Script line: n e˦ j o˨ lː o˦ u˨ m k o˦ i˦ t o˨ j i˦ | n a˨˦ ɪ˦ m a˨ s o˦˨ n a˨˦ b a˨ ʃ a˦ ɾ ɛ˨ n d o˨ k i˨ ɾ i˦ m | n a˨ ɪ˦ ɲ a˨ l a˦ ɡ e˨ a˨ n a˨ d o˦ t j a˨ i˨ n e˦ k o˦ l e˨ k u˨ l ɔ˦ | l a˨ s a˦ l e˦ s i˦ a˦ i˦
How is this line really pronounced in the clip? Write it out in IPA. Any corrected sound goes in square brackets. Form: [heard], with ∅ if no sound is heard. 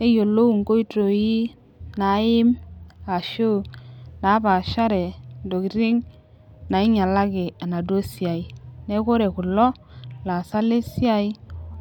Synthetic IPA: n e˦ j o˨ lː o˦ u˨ [ŋ] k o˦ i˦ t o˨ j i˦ | n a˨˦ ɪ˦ m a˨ [ʃ] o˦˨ n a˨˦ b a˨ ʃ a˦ ɾ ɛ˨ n d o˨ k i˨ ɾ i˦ [ŋ] | n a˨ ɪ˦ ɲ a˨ l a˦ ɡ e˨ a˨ n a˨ d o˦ [s] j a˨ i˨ n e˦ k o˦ [ɾ] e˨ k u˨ l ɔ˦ | l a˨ s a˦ l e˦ s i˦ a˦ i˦